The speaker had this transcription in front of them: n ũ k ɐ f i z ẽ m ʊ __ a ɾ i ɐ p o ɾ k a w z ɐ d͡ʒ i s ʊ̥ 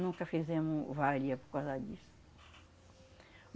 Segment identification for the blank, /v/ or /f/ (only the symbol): v